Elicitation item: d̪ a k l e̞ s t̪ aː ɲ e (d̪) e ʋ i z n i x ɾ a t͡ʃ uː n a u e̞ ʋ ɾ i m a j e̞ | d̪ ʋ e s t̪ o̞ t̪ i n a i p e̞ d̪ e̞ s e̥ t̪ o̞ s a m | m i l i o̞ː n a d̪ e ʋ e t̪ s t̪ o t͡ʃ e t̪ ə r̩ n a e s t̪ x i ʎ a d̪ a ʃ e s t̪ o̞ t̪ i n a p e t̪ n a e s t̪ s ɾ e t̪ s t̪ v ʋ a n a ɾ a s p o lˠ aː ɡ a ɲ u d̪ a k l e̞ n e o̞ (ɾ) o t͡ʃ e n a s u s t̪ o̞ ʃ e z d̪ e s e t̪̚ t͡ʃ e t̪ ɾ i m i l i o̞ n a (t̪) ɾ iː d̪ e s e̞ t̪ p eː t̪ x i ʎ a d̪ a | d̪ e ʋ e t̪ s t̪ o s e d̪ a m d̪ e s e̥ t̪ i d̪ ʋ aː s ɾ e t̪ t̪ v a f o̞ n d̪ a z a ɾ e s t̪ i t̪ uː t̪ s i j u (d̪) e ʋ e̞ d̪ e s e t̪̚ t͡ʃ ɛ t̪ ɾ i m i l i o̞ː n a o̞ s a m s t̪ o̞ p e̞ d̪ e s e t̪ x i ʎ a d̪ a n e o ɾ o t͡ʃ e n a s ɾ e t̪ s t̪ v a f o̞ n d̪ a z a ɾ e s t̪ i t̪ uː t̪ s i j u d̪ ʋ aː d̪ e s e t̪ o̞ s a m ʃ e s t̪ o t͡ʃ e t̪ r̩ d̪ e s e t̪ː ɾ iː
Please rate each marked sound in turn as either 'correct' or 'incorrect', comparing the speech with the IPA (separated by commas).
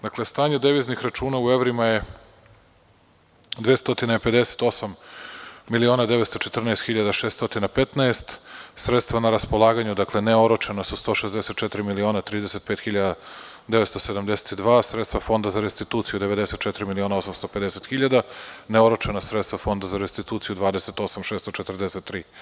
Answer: correct, correct, correct, correct